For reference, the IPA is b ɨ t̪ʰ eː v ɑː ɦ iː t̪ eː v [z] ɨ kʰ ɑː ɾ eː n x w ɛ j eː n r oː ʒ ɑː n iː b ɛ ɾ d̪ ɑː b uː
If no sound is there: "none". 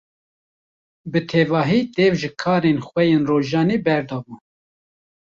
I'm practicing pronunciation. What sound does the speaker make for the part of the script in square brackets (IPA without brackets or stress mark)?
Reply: ʒ